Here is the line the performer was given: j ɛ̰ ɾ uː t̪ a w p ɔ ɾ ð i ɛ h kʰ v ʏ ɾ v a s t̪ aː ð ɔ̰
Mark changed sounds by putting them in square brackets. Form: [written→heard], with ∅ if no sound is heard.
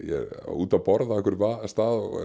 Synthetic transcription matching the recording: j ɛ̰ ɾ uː t̪ a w p ɔ ɾ ð [i→a] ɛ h [kʰ→k] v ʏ ɾ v a s t̪ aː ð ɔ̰